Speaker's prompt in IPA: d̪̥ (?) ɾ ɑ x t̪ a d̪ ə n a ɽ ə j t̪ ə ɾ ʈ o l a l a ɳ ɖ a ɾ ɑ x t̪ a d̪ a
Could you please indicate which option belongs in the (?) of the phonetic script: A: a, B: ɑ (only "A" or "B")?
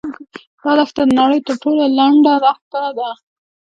B